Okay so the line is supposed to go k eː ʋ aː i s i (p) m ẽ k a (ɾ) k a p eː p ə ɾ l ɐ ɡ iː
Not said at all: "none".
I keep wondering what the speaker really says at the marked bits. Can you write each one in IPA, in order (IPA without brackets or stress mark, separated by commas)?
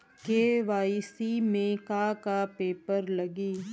none, none